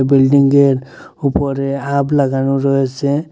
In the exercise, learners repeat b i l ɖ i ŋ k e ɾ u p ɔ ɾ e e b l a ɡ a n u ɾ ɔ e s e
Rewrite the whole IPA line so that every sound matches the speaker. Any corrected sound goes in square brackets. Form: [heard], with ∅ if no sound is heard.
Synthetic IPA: b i l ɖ i ŋ [ɡ] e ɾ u p ɔ ɾ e [a] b l a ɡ a n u ɾ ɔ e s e